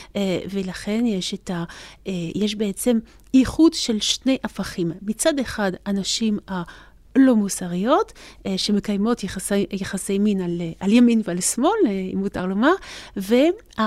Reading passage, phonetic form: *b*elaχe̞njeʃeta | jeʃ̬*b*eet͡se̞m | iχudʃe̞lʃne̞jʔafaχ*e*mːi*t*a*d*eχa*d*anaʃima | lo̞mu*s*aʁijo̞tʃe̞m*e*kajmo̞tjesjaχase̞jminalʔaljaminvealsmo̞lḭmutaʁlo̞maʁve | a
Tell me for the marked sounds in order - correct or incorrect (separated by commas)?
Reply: incorrect, correct, incorrect, incorrect, correct, correct, correct, correct